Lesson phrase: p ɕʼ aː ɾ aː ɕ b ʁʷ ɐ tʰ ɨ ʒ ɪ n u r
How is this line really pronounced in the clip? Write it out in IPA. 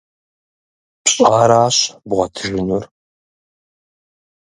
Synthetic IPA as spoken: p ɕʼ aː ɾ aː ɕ b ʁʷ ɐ tʰ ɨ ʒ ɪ n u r